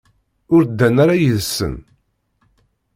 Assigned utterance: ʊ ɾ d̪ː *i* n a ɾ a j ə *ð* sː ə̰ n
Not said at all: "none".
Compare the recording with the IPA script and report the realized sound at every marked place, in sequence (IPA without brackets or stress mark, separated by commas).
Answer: æ, ð